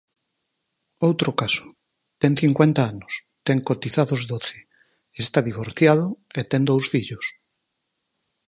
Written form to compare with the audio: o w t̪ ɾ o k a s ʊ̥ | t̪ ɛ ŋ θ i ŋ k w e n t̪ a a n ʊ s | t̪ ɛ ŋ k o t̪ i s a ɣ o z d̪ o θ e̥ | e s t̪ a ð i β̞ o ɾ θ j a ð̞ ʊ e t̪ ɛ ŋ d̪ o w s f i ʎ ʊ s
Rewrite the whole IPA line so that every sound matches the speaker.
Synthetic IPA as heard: o w t̪ ɾ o k a s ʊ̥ | t̪ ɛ ŋ θ i ŋ k w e n t̪ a a n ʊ s | t̪ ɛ ŋ k o t̪ i θ a ð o z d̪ o θ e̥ | e s t̪ a ð i β̞ o ɾ θ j a ð̞ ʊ e t̪ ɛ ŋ d̪ o w s f i ʎ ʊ s